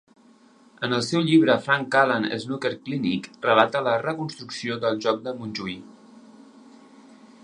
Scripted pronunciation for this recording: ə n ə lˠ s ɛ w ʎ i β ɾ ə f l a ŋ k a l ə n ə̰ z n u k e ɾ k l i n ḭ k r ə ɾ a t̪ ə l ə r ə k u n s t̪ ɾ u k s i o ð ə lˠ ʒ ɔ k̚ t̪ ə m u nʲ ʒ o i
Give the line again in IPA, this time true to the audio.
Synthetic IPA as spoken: ə n ə lˠ s ɛ w ʎ i β ɾ ə f ɾ a ŋ k a l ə n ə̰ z n u k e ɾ k l i n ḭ k r ə l a t̪ ə l ə r ə k u n s t̪ ɾ u k s i o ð ə lˠ ʒ ɔ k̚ d̪ ə m u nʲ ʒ u i